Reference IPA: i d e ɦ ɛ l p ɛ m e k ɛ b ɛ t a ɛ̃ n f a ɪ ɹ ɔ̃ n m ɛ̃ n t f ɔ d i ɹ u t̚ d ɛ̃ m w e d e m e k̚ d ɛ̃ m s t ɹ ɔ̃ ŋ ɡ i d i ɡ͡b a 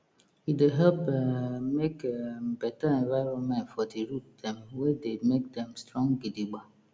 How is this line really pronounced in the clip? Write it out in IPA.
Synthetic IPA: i d e ɦ ɛ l p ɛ m e k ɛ b ɛ t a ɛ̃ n v a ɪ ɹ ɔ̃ n m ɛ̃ n t f ɔ d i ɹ u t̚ d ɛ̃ m w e d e m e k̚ d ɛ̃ m s t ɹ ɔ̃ ŋ ɡ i d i ɡ͡b a

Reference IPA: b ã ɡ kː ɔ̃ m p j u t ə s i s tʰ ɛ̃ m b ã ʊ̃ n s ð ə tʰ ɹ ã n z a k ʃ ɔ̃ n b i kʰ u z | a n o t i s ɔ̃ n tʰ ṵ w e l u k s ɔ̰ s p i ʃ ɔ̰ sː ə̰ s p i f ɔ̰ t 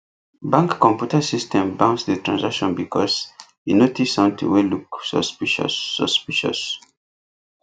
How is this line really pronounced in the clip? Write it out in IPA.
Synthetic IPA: b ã ŋ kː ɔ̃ m p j u t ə s i s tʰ ɛ̃ m b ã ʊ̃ n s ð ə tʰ ɹ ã n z a k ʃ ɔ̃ n b i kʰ ɔ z | i n o t i s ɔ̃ n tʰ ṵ w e l u k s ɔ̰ s p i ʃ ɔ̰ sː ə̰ s p i ʃ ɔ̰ s

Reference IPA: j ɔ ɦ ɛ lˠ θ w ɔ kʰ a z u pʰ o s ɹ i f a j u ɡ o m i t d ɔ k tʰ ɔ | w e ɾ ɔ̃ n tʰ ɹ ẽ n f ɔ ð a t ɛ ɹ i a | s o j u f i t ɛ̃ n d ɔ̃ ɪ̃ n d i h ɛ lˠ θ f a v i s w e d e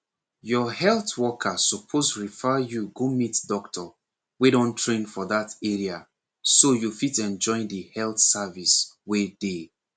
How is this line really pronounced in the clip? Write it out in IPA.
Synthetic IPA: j ɔ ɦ ɛ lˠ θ w ɔ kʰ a s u pʰ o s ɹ i f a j u ɡ o m i t d ɔ k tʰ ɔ | w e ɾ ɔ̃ n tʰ ɹ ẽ n f ɔ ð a t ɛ ɹ i a | s o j u f i t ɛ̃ n d͡ʒ ɔ̃ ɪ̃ n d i h ɛ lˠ θ s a v i s w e d e

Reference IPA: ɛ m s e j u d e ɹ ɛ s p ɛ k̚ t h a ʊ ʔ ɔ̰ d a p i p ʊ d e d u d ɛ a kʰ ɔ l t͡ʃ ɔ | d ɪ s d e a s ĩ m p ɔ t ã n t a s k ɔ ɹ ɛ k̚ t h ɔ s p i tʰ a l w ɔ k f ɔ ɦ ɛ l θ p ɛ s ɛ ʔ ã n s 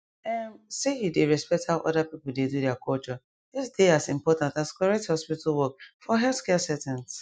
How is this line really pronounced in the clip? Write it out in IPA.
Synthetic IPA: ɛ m s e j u d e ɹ ɛ s p ɛ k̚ t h a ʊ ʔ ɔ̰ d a p i p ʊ d e d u d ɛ a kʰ ɔ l t͡ʃ ɔ | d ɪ s d e a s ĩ m p ɔ t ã n t a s k ɔ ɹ ɛ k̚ t h ɔ s p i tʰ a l w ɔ k f ɔ ɦ ɛ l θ k ɛ s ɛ t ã n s

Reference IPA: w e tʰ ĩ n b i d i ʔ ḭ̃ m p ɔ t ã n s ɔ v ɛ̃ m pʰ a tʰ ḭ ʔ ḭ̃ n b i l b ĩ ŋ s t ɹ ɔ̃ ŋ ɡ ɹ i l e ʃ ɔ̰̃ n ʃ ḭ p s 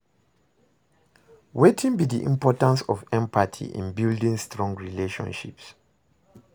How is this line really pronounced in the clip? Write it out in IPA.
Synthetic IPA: w e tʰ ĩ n b i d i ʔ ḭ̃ m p ɔ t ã n s ɔ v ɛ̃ m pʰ a tʰ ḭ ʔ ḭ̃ n b i l d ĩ ŋ s t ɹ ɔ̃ ŋ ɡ ɹ i l e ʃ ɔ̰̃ n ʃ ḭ p s

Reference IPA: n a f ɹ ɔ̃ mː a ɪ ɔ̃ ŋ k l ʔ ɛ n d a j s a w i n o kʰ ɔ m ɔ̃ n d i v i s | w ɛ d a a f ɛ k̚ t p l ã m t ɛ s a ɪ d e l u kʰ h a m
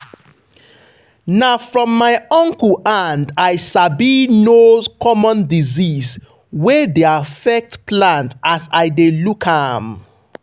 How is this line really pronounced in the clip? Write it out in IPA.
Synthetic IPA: n a f ɹ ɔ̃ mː a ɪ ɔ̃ ŋ k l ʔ a n d a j s a b i n o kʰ ɔ m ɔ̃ n d i z i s | w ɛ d e a f ɛ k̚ t p l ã n t a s a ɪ d e l u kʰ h a m

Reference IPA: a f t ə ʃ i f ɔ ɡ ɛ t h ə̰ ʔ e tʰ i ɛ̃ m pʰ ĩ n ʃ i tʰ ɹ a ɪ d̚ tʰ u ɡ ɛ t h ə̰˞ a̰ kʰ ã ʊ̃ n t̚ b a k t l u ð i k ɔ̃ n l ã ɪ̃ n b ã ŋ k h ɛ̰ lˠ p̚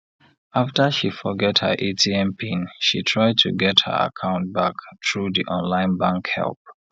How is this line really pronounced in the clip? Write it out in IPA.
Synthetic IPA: a f t ə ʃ i f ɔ ɡ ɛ t h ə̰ ʔ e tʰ i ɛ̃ m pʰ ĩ n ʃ i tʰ ɹ a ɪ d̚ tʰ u ɡ ɛ t h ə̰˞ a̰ kʰ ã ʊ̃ n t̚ b a k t ɹ u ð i ʔ ɔ̃ n l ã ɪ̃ n b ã ŋ k h ɛ̰ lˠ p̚

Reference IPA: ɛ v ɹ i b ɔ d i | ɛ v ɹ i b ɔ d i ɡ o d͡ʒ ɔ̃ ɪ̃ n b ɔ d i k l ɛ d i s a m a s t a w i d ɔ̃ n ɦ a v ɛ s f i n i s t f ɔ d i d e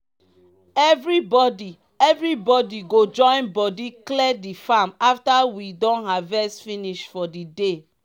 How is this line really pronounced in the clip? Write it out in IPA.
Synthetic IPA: ɛ v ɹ i b ɔ d i | ɛ v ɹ i b ɔ d i ɡ o d͡ʒ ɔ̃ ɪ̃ n b ɔ d i k l ɛ d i f a m a f t a w i d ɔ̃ n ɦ a v ɛ s f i n i ʃ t f ɔ d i d e

